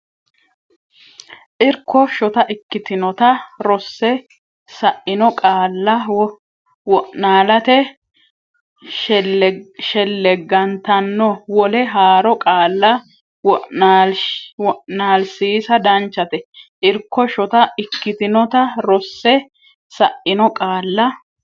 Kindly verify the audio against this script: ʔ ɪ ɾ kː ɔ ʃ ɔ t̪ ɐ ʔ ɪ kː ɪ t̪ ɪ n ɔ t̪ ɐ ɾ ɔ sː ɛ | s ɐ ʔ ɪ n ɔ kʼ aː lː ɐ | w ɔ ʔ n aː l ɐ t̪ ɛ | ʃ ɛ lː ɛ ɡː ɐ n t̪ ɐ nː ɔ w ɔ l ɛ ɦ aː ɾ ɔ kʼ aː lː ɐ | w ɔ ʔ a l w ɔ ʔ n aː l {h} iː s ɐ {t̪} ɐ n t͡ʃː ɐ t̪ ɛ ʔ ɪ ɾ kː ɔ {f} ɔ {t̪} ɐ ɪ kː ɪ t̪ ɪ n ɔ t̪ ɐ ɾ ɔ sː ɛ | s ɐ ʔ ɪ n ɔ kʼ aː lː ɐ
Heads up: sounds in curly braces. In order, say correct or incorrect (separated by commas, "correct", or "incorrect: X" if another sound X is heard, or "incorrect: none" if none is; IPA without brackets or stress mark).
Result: incorrect: s, incorrect: d̪, incorrect: ʃ, correct